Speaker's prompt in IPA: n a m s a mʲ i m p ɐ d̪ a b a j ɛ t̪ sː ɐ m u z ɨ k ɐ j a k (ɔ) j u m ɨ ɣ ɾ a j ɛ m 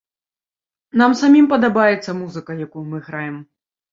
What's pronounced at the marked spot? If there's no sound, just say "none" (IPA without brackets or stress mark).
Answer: u